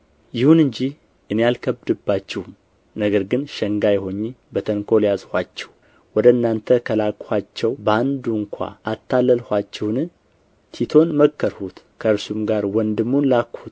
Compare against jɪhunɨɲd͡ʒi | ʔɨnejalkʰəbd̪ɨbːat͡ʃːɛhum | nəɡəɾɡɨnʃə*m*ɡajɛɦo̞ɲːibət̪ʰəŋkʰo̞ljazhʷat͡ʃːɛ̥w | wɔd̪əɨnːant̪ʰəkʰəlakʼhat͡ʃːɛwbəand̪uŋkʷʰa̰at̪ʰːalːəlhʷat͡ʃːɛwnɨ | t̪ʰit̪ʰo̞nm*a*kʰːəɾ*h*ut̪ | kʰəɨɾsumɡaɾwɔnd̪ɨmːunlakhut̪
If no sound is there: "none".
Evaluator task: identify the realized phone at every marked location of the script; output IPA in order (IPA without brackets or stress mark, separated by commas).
ŋ, ə, h